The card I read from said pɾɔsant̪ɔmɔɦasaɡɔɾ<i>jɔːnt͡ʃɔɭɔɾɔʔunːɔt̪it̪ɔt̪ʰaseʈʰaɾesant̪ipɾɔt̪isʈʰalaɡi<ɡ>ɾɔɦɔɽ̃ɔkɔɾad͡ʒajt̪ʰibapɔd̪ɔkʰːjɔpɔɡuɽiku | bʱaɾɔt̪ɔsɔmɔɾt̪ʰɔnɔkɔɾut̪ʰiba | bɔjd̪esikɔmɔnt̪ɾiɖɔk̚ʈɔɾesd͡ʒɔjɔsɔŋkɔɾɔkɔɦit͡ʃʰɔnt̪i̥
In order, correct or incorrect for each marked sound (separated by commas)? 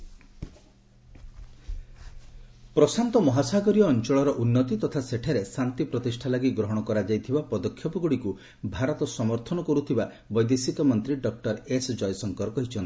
correct, correct